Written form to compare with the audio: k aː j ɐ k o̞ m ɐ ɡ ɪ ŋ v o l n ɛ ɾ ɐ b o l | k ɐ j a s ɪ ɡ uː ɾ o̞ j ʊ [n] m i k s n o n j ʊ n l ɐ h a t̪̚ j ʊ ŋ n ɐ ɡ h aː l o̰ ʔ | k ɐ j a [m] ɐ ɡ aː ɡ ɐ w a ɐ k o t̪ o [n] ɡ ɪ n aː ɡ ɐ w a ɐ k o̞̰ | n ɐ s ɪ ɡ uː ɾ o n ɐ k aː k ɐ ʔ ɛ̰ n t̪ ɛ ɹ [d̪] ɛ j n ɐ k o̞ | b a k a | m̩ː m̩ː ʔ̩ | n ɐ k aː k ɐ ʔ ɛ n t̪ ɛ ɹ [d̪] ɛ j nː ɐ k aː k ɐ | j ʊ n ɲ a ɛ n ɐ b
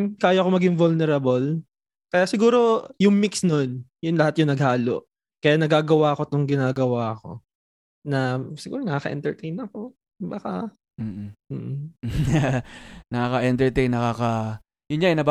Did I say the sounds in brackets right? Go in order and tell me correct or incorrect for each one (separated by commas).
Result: incorrect, incorrect, incorrect, incorrect, incorrect